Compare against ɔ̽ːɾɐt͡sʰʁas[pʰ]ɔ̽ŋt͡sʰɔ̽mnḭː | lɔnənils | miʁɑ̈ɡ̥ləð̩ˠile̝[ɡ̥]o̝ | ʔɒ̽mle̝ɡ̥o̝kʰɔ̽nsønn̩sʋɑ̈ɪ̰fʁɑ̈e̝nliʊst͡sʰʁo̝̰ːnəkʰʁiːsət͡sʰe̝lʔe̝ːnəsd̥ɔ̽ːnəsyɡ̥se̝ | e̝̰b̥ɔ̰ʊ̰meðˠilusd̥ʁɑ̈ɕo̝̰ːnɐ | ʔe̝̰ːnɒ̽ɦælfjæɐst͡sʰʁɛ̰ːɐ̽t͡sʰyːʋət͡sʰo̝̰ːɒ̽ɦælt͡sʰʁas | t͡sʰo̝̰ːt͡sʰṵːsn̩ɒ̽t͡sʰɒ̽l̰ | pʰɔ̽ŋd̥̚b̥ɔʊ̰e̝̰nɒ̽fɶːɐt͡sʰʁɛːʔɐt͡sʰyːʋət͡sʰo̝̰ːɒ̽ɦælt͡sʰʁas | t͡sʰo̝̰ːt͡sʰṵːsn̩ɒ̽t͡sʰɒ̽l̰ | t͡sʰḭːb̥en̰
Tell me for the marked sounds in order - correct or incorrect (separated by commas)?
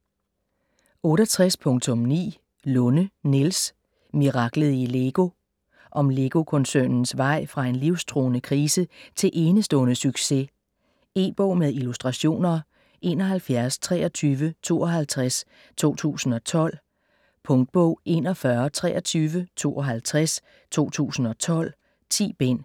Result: correct, correct